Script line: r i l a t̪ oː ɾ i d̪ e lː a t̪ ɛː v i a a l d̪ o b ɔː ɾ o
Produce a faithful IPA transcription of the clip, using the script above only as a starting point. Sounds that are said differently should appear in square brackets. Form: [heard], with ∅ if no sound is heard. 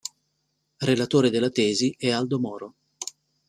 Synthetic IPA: r [e] l a t̪ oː ɾ [e] d̪ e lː a t̪ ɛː [z] i [ɛ] a l d̪ o [m] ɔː ɾ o